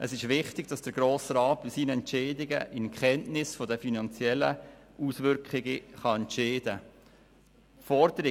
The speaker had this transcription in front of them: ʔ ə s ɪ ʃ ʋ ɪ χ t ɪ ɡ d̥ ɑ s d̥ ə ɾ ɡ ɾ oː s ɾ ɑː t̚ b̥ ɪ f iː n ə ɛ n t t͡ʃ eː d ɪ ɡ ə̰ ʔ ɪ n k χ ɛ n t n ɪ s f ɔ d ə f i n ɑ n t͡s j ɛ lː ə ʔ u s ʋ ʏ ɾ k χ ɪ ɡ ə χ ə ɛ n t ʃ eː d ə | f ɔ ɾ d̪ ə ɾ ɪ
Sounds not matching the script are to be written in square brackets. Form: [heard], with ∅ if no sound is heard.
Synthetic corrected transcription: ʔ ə s ɪ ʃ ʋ ɪ χ t ɪ ɡ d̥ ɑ s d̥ ə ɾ ɡ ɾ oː s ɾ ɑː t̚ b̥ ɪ [s] iː n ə ɛ n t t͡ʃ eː d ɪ ɡ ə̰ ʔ ɪ n k χ ɛ n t n ɪ s f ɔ d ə f i n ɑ n t͡s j ɛ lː ə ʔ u s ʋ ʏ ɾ k χ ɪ ɡ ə χ [ɑ] ɛ n t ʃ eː d ə | f ɔ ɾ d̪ ə ɾ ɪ

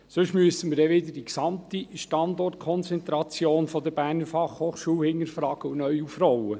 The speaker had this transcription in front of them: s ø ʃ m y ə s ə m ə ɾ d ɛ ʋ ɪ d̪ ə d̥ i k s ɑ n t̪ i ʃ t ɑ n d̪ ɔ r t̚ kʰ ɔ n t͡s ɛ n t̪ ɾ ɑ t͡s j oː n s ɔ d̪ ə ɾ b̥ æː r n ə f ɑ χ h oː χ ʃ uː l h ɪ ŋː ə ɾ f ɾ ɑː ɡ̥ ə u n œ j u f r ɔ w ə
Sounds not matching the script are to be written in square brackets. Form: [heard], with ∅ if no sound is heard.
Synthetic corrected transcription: s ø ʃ m y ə s ə m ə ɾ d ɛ ʋ ɪ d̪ ə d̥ i k s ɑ [m] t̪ i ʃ t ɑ n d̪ ɔ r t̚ kʰ ɔ n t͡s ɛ n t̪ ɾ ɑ t͡s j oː n [f] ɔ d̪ ə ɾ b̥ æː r n ə f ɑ χ h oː χ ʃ uː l h ɪ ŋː ə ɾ f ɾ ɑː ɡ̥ ə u n œ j u f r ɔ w ə

